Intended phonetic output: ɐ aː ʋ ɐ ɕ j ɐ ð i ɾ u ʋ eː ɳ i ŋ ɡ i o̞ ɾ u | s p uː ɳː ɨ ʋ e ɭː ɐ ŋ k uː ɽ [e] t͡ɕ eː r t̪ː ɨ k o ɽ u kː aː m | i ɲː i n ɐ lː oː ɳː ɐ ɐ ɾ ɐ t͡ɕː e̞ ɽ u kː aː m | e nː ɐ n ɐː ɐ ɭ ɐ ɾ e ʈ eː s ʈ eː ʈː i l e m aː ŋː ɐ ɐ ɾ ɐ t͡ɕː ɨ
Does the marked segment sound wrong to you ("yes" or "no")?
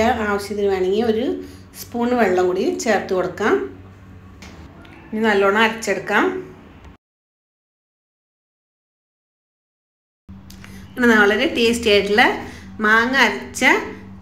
yes